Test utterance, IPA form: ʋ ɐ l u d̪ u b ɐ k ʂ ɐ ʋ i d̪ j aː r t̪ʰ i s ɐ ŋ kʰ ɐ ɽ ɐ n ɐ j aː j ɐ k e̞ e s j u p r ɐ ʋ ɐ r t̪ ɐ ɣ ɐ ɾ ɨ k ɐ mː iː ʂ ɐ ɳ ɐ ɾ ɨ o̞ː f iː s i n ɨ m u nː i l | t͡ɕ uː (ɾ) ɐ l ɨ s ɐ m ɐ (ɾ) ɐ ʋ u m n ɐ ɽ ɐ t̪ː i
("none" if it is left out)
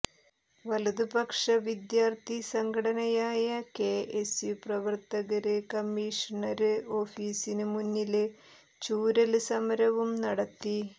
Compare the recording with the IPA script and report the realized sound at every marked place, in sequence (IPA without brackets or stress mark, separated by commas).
ɾ, ɾ